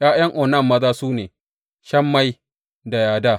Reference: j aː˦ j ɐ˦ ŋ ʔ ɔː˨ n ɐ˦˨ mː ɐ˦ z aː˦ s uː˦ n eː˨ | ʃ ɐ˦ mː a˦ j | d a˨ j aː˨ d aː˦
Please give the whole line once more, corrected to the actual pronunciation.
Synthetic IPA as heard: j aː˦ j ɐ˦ ŋ ʔ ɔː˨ n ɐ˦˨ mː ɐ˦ z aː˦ s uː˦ n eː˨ | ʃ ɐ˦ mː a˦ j | d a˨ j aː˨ d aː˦